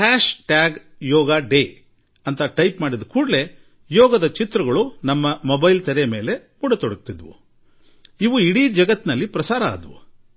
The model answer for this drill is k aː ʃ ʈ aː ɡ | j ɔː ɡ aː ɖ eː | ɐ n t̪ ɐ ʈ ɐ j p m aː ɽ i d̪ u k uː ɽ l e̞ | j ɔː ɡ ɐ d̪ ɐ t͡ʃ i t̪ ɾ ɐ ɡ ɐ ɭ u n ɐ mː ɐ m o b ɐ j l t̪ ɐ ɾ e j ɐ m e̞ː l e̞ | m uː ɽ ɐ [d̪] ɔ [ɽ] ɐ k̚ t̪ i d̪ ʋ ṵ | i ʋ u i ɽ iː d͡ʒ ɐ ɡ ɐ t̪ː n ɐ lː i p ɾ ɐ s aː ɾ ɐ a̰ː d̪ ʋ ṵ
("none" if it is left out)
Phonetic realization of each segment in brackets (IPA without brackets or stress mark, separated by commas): t̪, ɽ